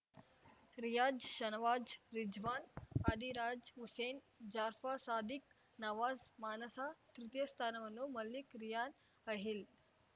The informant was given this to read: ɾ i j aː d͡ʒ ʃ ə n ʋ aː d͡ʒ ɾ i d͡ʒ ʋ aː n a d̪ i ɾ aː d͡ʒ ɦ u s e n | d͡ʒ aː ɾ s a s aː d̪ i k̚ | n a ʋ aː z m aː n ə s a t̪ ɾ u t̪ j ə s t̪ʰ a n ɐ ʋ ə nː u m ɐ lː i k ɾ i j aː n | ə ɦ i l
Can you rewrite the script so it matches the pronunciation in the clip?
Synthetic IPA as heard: ɾ i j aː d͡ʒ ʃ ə n ʋ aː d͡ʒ ɾ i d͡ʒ ʋ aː n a d̪ i ɾ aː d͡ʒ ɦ u s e n | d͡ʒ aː ɾ f a s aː d̪ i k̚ | n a ʋ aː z m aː n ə s a t̪ ɾ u t̪ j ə s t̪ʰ a n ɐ ʋ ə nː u m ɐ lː i k ɾ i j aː n | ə ɦ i l